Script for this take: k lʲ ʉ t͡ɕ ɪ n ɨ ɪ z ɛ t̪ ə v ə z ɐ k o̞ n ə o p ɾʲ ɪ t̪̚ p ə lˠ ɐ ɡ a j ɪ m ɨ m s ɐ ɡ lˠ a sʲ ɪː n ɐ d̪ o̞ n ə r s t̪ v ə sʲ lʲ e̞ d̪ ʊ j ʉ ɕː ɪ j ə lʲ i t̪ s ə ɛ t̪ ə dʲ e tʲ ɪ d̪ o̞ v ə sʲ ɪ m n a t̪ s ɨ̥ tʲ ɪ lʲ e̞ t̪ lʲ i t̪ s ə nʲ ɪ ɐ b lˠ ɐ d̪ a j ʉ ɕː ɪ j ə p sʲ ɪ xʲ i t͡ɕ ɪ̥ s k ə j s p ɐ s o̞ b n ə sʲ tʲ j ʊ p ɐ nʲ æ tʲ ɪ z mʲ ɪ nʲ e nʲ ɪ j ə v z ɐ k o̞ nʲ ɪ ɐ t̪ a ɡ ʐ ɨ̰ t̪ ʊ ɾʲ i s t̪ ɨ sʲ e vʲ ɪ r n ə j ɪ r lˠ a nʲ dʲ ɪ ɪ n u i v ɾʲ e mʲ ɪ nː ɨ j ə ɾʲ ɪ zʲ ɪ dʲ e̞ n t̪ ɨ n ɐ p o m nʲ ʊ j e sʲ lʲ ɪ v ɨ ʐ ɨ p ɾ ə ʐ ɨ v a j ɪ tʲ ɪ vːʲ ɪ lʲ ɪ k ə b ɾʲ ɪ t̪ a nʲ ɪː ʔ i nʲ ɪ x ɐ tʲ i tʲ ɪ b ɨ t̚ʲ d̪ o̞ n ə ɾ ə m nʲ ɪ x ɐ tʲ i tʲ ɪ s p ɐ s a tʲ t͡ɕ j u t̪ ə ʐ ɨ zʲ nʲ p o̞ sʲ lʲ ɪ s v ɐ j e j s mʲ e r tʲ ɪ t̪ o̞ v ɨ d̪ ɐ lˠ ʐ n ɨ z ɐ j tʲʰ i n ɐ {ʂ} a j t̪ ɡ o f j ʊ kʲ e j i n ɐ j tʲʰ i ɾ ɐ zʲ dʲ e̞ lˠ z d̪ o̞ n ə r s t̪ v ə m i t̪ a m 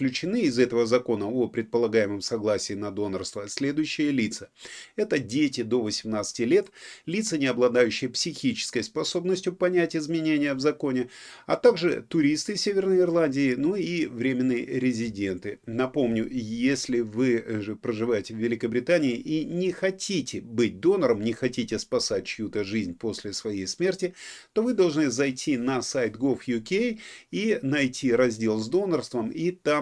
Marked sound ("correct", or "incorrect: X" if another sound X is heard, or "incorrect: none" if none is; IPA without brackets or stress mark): incorrect: s